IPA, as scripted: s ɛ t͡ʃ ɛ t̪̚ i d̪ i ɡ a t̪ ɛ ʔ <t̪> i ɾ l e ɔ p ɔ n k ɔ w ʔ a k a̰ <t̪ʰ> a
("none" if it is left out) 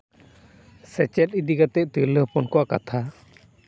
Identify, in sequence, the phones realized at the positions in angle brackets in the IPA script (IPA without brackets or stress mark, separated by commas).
t̪, t̪ʰ